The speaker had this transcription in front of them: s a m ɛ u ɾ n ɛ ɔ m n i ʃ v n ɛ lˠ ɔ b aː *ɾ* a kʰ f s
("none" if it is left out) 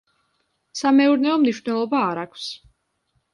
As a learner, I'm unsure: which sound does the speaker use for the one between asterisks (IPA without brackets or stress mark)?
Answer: ɾ